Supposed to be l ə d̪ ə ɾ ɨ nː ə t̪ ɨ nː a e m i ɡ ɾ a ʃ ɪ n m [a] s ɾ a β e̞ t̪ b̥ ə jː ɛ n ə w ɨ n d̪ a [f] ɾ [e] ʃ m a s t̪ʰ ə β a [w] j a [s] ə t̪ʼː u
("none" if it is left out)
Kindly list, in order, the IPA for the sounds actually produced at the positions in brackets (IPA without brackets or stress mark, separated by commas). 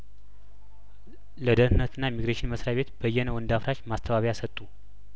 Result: ə, f, a, β, s